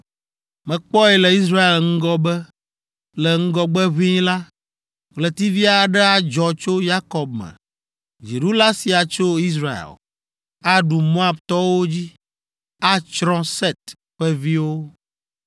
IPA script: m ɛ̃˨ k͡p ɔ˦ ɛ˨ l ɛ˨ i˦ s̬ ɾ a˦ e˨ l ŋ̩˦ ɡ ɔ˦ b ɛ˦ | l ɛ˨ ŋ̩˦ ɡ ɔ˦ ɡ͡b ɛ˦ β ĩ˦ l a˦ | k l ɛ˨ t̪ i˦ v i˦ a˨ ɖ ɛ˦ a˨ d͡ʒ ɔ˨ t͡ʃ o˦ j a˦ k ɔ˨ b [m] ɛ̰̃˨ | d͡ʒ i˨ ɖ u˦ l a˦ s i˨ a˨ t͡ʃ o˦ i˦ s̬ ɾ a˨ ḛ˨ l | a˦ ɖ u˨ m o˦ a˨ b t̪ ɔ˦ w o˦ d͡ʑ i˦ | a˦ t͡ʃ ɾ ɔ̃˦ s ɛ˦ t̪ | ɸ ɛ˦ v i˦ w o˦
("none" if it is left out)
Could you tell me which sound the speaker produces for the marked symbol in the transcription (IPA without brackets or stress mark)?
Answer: m